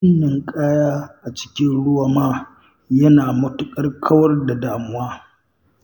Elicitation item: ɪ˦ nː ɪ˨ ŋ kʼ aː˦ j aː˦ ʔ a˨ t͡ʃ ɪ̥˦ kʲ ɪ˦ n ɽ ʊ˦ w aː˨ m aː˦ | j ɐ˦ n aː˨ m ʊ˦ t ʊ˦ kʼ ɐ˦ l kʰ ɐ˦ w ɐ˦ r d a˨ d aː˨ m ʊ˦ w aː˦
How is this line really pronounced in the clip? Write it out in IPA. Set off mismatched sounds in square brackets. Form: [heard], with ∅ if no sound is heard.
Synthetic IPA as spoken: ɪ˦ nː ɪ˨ ŋ kʼ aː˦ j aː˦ ʔ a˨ t͡ʃ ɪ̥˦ kʲ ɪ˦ n ɽ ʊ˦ w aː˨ m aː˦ | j ɐ˦ n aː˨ m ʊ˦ t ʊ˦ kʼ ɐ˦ [r] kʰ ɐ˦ w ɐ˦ r d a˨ d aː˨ m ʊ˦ w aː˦

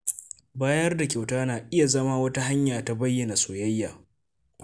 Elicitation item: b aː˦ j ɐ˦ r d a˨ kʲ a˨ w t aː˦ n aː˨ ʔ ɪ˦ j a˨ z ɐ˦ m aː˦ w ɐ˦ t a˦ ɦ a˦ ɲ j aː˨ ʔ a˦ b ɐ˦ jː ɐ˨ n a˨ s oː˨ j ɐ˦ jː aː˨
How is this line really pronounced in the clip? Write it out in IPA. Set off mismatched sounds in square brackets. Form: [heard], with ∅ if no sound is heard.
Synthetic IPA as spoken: b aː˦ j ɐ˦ r d a˨ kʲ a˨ w t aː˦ n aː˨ ʔ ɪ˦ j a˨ z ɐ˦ m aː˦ w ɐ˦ t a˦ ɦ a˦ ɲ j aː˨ [t] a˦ b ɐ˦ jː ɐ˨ n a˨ s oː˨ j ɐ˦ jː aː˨

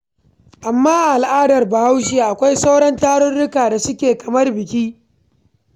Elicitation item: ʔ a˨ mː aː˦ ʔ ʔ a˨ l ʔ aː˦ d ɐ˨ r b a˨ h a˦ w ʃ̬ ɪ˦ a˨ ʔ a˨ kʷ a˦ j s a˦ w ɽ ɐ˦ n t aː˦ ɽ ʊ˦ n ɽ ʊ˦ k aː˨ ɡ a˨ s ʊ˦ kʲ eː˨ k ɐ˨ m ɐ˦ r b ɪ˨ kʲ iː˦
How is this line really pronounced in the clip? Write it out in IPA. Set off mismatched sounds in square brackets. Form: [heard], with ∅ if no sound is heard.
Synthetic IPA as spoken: ʔ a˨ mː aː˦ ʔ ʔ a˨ l ʔ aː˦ d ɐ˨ r b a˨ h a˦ w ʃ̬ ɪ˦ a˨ ʔ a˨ kʷ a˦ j s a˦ w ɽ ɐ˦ n t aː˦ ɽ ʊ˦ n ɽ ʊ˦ k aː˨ [d] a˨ s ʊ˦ kʲ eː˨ k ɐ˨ m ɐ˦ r b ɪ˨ kʲ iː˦

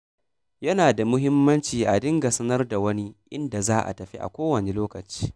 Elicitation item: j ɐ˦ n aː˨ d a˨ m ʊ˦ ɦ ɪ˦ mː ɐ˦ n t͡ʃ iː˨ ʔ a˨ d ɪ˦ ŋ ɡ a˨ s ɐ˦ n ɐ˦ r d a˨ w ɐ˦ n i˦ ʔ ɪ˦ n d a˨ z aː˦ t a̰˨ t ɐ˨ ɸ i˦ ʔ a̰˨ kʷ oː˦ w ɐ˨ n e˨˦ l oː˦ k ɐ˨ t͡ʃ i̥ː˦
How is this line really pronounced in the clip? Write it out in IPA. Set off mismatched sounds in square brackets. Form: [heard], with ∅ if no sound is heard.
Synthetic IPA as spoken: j ɐ˦ n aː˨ d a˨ m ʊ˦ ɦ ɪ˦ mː ɐ˦ n t͡ʃ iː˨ ʔ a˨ d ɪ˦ ŋ ɡ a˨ s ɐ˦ n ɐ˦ r d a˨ w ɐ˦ n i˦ ʔ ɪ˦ n d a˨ z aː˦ [ʔ] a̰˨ t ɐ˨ ɸ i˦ ʔ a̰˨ kʷ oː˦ w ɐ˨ n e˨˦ l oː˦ k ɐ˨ t͡ʃ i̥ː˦

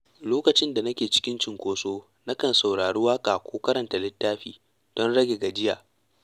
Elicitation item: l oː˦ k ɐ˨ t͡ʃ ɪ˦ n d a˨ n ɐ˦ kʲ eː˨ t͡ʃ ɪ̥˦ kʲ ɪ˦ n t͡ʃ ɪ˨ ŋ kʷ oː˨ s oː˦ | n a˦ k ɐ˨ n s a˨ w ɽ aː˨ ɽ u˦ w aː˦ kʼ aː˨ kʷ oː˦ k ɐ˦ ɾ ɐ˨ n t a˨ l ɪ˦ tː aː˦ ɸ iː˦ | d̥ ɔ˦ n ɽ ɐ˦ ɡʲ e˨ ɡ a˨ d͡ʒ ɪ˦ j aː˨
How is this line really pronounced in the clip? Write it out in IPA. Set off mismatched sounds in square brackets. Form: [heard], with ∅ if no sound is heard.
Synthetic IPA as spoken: l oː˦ k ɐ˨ t͡ʃ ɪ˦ n d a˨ n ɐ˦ kʲ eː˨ t͡ʃ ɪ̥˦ kʲ ɪ˦ n t͡ʃ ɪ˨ ŋ kʷ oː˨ s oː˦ | n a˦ k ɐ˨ n s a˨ w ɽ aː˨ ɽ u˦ w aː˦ kʼ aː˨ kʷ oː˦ k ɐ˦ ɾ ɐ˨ n t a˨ l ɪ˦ tː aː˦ ɸ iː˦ | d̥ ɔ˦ n ɽ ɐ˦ ɡʲ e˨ ɡ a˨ d͡ʒ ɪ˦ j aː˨

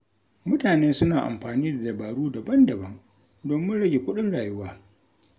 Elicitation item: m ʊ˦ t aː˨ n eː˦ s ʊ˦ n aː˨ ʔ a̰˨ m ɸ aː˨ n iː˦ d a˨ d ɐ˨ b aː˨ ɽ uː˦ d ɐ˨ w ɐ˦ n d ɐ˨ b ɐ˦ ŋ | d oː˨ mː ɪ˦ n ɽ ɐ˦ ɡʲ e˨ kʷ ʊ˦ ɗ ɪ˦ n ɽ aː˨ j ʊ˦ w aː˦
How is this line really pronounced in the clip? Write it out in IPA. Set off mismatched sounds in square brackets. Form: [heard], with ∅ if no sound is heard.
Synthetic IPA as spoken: m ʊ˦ t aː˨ n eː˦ s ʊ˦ n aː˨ ʔ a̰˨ m ɸ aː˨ n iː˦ d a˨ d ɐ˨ b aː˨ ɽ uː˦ d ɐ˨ [b] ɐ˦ n d ɐ˨ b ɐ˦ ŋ | d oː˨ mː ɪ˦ n ɽ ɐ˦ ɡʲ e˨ kʷ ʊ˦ ɗ ɪ˦ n ɽ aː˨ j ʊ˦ w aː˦

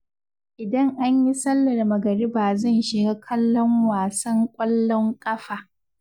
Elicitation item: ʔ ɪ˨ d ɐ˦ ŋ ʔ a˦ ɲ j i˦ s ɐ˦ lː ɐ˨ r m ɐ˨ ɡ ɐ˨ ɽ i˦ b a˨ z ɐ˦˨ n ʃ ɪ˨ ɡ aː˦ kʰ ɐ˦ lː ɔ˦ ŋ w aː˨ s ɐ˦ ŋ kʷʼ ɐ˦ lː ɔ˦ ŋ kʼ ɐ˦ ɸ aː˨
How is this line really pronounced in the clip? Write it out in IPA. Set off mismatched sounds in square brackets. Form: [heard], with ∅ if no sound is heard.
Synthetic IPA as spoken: ʔ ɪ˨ d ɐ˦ ŋ ʔ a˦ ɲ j i˦ s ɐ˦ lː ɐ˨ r m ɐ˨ ɡ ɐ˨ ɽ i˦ b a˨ z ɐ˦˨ n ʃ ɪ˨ ɡ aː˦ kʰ ɐ˦ lː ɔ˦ ŋ w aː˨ s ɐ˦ ŋ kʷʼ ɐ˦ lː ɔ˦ ŋ kʼ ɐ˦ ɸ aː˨

